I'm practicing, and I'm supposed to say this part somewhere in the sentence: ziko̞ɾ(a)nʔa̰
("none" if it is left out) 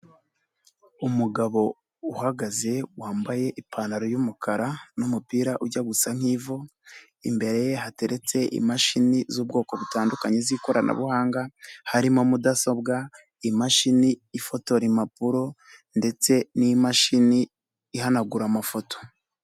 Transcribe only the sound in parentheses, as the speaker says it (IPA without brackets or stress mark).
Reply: a